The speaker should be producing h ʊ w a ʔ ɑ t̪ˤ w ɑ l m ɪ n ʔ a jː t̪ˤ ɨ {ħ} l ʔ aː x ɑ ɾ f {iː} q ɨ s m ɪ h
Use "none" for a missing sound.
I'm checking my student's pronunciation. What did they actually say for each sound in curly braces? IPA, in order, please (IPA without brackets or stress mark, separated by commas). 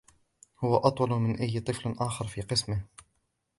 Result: f, iː